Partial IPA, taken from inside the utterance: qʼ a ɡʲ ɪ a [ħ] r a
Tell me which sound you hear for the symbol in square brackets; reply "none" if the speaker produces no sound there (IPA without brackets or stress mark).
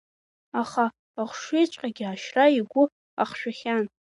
ʃ